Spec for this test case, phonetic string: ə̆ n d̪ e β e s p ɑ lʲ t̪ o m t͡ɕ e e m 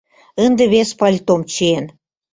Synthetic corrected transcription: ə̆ n d̪ e β e s p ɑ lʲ t̪ o m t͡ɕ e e n